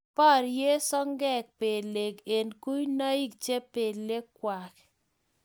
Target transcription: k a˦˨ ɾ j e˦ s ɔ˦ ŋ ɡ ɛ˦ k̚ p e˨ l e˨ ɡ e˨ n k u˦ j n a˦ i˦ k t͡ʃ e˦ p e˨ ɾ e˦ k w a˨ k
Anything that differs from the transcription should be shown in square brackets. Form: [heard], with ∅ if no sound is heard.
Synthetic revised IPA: [p] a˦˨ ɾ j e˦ s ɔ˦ ŋ ɡ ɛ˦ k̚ p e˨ l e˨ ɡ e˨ n k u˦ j n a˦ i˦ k t͡ʃ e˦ p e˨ [l] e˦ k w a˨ k